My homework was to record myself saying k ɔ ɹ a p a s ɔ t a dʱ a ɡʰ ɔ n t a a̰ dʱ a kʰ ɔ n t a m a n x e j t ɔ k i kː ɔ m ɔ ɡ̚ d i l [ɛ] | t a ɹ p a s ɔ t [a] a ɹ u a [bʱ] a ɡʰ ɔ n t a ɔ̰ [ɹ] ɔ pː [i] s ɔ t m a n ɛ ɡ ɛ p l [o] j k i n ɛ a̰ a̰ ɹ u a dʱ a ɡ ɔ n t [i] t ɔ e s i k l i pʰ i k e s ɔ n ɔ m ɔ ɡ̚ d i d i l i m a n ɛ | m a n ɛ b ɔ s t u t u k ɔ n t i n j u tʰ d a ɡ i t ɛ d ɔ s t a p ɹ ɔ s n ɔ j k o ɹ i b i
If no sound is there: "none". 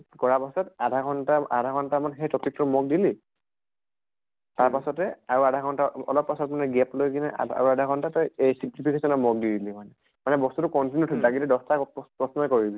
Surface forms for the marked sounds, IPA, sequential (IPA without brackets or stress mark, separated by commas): i, ɛ, dʱ, l, a, o, a